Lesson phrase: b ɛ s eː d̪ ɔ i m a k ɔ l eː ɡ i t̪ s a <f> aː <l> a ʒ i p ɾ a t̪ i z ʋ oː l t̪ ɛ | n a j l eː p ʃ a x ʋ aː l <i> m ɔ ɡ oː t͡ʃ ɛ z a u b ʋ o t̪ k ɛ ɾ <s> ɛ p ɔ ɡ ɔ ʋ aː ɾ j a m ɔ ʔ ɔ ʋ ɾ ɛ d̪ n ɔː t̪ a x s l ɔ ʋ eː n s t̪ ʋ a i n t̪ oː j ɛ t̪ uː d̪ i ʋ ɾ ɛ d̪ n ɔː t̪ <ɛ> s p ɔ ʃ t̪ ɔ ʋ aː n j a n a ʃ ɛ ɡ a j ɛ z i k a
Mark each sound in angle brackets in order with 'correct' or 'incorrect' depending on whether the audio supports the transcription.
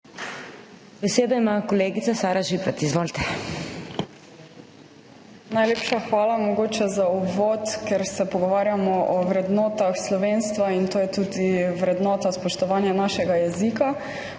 incorrect: s, incorrect: ɾ, incorrect: a, correct, incorrect: a

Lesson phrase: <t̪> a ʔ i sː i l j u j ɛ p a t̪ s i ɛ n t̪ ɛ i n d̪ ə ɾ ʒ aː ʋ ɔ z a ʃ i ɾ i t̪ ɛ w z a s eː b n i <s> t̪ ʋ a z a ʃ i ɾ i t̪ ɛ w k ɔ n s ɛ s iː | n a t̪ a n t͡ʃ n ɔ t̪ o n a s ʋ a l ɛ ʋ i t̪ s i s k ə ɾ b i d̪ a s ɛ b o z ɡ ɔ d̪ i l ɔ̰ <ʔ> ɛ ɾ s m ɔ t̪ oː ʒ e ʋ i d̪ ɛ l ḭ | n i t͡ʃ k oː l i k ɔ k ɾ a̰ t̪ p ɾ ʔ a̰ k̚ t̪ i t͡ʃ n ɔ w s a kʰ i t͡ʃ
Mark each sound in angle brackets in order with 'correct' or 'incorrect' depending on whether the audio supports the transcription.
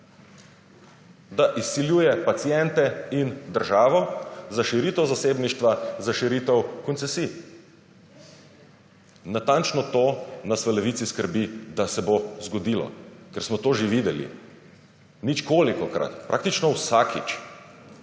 incorrect: d̪, incorrect: ʃ, incorrect: k

